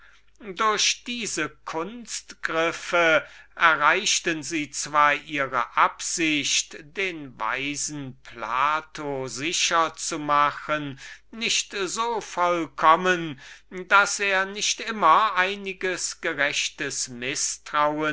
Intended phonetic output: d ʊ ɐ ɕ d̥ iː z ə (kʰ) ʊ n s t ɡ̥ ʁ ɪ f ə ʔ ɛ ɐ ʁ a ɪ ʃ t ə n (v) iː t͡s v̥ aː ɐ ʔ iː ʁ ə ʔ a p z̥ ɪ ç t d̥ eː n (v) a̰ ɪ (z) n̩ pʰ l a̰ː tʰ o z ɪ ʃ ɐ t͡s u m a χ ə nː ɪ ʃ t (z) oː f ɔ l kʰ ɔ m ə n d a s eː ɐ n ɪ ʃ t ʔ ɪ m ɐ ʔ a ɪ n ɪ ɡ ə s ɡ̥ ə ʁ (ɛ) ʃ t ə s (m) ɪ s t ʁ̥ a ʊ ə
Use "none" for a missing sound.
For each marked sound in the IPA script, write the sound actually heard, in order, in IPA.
kʰ, z, v, z, z, ɛ, m

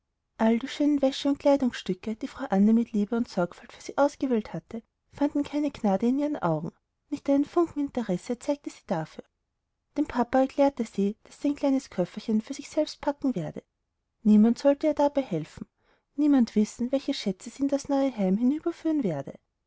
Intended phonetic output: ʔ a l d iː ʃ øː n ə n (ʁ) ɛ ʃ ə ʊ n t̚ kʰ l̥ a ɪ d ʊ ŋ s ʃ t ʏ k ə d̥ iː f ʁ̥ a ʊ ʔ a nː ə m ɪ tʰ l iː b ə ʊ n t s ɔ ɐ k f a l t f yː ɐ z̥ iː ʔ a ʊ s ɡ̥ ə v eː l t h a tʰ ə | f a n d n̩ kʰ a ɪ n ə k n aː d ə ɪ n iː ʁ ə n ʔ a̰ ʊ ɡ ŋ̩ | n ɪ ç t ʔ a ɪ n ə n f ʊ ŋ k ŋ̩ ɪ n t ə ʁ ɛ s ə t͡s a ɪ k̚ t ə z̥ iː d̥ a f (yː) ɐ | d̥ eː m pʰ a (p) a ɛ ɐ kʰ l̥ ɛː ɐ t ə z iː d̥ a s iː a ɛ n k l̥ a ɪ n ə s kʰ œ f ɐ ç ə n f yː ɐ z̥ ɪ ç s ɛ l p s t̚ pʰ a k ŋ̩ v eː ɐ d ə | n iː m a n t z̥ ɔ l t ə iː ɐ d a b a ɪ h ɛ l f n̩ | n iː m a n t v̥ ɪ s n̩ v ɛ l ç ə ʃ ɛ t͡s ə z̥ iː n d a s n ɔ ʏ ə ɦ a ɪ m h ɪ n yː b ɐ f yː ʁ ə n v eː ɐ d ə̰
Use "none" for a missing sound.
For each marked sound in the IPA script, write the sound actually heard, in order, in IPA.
v, yː, p

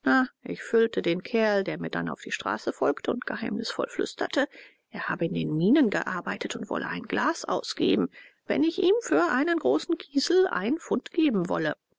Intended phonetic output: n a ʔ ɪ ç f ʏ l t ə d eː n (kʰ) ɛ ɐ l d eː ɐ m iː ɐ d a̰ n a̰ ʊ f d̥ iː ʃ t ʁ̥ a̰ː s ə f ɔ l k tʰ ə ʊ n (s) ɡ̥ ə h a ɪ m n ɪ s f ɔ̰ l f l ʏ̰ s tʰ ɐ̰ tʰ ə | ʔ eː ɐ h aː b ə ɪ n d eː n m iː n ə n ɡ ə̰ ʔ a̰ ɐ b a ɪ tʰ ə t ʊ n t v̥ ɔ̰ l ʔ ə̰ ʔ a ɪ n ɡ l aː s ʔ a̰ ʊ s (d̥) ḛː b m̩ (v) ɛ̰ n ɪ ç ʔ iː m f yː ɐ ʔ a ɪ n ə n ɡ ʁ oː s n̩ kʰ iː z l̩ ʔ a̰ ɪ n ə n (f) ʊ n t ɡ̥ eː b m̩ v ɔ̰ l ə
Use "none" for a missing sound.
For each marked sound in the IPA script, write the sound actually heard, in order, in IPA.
kʰ, t, ɡ̥, v, f

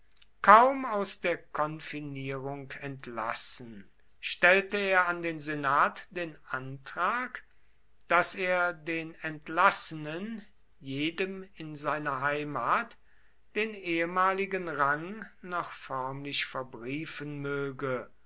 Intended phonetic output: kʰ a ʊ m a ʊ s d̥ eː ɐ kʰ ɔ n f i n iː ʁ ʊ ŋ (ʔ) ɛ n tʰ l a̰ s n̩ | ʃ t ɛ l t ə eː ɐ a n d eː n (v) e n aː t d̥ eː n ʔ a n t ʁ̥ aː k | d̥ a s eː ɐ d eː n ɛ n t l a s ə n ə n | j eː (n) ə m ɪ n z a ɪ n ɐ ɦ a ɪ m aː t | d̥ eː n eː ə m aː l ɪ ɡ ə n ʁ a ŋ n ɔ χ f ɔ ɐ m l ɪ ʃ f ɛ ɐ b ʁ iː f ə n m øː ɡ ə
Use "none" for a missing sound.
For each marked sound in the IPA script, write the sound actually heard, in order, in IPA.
k, z, d

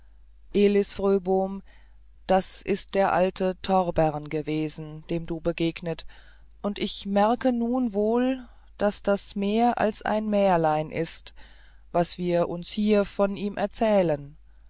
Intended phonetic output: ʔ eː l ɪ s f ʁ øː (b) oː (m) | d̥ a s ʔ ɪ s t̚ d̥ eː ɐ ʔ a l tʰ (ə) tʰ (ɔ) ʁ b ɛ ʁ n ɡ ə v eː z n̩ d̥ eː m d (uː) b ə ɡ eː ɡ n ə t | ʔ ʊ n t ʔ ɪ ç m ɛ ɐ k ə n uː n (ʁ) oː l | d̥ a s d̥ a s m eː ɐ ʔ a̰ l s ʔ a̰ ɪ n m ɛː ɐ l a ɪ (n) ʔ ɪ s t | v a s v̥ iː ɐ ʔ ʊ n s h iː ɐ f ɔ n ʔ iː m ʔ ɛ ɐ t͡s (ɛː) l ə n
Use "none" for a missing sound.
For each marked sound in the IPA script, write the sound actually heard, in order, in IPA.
b, m, ə, ɔ, uː, v, n, ɛː

